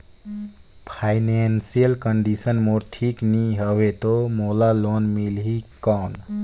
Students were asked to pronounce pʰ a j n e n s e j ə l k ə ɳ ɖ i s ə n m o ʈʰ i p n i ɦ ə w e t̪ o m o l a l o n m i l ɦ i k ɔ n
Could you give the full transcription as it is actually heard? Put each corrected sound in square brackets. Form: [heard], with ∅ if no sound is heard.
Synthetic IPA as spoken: pʰ a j n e n s [i] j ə l k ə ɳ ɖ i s ə n m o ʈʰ i [k] n i ɦ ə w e t̪ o m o l a l o n m i l ɦ i k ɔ n